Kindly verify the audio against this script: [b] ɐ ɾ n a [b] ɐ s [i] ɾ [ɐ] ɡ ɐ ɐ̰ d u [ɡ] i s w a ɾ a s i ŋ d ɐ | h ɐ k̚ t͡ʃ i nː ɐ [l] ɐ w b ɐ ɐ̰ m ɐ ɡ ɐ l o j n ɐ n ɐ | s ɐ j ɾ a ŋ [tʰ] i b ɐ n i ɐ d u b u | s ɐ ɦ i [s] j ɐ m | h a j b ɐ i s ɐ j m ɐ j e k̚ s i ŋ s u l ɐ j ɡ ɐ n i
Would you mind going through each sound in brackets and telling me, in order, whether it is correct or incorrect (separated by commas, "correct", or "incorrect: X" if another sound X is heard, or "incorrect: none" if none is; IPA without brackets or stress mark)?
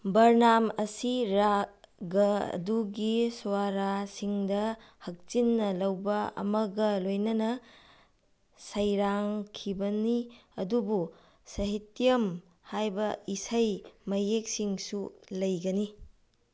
correct, incorrect: m, correct, incorrect: a, correct, correct, incorrect: kʰ, incorrect: t